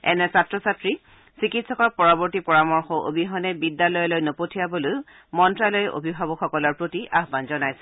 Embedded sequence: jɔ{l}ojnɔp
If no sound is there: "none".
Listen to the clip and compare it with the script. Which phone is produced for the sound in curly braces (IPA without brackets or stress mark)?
l